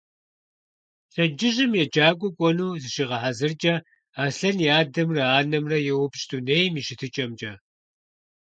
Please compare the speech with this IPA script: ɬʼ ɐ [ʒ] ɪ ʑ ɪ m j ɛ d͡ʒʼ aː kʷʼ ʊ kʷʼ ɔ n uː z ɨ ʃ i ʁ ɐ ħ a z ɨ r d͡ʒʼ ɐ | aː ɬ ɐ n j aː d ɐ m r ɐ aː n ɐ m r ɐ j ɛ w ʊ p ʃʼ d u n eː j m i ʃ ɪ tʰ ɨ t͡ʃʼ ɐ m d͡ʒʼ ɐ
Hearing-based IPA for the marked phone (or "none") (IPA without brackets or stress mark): d͡ʒ